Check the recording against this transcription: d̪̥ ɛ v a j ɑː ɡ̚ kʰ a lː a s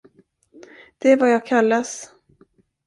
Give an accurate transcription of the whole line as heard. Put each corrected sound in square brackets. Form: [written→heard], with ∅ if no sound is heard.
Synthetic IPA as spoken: d̪̥ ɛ v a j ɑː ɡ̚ kʰ a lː a s